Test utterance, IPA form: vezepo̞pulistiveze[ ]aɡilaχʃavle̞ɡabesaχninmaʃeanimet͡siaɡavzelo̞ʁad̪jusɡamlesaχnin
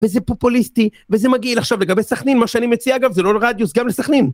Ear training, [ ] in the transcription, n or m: m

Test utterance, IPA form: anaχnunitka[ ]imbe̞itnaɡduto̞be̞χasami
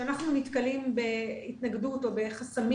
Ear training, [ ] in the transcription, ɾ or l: l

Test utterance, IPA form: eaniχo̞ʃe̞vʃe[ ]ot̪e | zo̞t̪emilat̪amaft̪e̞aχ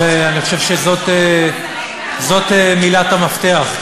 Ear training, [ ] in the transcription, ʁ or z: z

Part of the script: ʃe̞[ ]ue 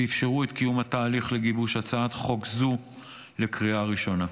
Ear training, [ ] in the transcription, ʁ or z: ʁ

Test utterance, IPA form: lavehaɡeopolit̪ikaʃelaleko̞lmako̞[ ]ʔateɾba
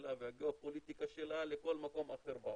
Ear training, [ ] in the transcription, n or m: m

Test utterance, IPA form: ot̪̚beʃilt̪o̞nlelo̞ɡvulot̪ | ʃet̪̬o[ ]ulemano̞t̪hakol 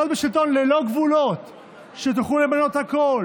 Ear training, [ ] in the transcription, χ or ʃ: χ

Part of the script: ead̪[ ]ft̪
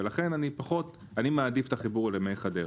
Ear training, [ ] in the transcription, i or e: i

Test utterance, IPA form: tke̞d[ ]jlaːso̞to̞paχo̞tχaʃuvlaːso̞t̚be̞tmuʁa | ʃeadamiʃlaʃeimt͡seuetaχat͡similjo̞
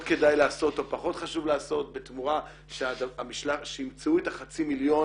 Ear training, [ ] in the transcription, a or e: a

